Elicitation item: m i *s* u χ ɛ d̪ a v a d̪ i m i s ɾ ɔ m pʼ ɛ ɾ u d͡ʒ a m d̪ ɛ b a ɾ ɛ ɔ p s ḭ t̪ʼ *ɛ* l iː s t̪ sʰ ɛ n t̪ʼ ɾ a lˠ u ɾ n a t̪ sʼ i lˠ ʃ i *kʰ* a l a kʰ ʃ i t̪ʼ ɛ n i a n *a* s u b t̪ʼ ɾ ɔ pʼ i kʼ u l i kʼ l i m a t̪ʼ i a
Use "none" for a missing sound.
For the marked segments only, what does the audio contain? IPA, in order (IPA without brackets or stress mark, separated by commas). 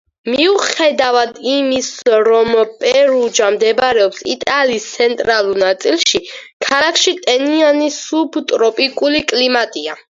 none, a, kʰ, i